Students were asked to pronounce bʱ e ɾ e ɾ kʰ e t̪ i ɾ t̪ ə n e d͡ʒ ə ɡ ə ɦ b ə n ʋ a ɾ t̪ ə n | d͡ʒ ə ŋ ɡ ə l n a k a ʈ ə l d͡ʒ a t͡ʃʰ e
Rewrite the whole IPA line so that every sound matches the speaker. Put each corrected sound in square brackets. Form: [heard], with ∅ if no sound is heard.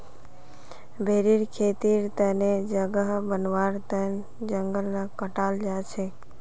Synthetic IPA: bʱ e ɾ [i] ɾ kʰ e t̪ i ɾ t̪ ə n e d͡ʒ ə ɡ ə ɦ b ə n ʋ a ɾ t̪ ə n | d͡ʒ ə ŋ ɡ ə l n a k [ə] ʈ [a] l d͡ʒ a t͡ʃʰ e